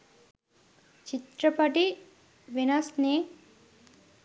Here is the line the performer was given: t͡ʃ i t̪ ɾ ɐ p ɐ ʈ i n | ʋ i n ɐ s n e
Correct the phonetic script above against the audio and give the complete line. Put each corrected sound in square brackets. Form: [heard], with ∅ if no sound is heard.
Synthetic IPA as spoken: t͡ʃ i t̪ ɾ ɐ p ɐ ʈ i [∅] | ʋ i n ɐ s n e